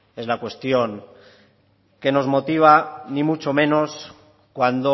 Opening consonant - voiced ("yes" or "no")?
yes